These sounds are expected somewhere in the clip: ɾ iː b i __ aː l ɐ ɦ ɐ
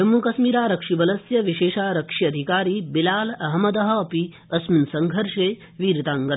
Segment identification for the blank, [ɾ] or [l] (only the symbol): l